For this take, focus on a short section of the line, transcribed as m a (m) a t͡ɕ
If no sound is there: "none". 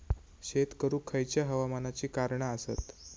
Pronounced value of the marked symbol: n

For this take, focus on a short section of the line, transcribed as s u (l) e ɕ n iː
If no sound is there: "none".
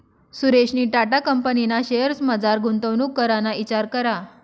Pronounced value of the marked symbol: ɾ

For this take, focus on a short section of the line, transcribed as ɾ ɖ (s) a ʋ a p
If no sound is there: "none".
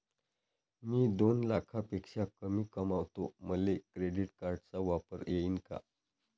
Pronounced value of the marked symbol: t͡s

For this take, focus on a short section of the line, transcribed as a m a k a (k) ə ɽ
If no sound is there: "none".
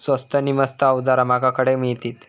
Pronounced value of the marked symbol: k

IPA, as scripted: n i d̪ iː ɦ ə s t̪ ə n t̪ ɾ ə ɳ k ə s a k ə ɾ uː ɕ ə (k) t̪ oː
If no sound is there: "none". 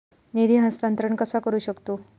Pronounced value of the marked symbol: k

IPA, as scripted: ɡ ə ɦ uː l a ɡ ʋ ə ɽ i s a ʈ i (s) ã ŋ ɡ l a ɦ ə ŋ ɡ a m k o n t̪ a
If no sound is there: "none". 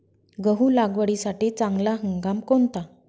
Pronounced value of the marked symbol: t͡s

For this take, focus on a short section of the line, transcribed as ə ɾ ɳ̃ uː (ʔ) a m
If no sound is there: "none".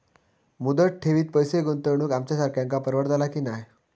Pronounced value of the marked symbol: k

